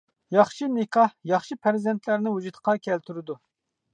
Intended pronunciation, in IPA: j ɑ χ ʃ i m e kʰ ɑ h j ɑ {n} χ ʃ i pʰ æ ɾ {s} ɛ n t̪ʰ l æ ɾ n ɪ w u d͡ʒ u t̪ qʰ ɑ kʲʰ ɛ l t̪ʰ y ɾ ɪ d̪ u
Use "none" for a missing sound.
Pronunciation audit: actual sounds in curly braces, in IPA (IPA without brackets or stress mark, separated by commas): none, z